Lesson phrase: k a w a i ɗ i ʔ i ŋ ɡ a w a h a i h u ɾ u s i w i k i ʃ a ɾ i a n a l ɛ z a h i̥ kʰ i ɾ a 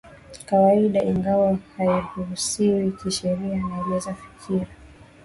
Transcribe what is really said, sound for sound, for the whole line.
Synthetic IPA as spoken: k a w a i ɗ a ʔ i ŋ ɡ a w a h a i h u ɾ u s i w i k i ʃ ɛ ɾ i a n a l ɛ z a f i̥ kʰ i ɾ a

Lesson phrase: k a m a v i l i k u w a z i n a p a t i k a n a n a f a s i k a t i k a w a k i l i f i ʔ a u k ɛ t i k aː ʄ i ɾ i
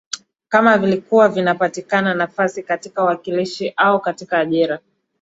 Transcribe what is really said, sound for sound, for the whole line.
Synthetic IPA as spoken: k a m a v i l i k u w a v i n a p a t i k a n a n a f a s i k a t i k a w a k i l i ʃ i ʔ a u k a t i k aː ʄ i ɾ a

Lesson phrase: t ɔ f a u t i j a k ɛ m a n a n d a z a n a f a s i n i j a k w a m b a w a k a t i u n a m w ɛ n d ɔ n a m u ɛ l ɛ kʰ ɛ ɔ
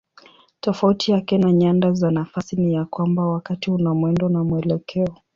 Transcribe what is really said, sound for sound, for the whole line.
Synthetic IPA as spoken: t ɔ f a u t i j a k ɛ n a ɲ a n d a z a n a f a s i n i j a k w a m b a w a k a t i u n a m w ɛ n d ɔ n a m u ɛ l ɛ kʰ ɛ ɔ

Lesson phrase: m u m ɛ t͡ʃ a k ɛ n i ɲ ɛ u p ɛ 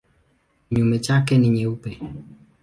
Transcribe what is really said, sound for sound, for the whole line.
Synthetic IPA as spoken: ɲ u m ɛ t͡ʃ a k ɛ n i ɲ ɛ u p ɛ

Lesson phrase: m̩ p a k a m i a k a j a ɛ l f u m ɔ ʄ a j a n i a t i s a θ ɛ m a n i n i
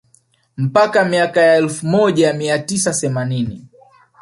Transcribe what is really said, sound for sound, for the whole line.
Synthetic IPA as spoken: m̩ p a k a m i a k a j a ɛ l f u m ɔ ʄ a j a m i a t i s a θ ɛ m a n i n i

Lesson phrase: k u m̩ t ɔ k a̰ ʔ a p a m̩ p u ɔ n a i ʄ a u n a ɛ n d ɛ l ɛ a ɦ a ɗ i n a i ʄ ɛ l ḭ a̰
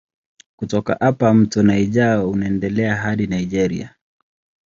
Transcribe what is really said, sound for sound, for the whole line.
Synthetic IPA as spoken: k u t ɔ k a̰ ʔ a p a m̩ t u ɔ n a i ʄ a u n a ɛ n d ɛ l ɛ a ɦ a ɗ i n a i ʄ ɛ ɾ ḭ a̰

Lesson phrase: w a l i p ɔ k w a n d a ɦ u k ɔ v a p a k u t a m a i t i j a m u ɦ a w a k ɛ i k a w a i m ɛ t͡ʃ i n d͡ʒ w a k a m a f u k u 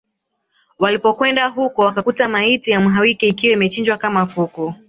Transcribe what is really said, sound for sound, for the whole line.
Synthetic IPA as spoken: w a l i p ɔ k w ɛ n d a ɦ u k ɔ w a k a k u t a m a i t i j a m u ɦ a w i k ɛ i k i w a i m ɛ t͡ʃ i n d͡ʒ w a k a m a f u k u

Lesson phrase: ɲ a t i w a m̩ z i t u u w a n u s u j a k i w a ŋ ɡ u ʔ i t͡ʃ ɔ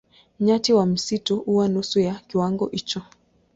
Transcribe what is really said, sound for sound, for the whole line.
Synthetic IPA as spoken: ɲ a t i w a m̩ s i t u u w a n u s u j a k i w a ŋ ɡ ɔ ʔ i t͡ʃ ɔ

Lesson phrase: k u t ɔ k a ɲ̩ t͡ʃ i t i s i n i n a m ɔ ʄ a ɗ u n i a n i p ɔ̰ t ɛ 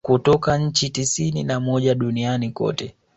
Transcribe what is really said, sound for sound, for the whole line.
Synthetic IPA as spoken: k u t ɔ k a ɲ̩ t͡ʃ i t i s i n i n a m ɔ ʄ a ɗ u n i a n i k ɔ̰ t ɛ

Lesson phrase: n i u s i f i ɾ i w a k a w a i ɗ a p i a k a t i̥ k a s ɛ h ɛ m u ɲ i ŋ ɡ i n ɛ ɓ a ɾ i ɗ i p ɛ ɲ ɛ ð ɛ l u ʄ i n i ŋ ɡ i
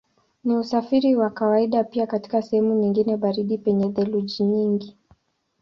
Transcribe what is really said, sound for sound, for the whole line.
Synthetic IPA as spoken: n i u s a f i ɾ i w a k a w a i ɗ a p i a k a t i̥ k a s ɛ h ɛ m u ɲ i ŋ ɡ i n ɛ ɓ a ɾ i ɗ i p ɛ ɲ ɛ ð ɛ l u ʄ i ɲ i ŋ ɡ i

